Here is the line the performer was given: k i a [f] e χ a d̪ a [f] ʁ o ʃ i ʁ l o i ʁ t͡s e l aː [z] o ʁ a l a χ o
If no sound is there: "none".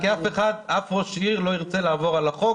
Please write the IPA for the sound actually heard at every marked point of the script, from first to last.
f, f, v

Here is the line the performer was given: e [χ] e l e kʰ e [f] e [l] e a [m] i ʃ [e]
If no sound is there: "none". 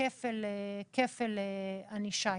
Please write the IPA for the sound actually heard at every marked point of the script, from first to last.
f, f, l, n, a

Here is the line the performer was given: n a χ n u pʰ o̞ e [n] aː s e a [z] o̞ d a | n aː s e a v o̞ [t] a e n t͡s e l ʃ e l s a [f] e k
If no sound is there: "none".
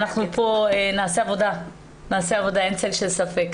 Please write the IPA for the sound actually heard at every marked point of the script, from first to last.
n, v, d, f

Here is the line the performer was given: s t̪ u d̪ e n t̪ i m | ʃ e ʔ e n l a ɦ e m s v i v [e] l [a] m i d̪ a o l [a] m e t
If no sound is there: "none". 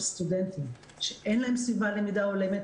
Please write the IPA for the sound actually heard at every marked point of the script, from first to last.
a, e, e

